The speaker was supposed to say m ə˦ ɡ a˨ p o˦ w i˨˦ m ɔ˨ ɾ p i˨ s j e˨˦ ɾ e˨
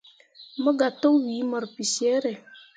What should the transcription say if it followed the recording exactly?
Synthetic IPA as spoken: m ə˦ ɡ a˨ t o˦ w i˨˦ m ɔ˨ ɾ p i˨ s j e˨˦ ɾ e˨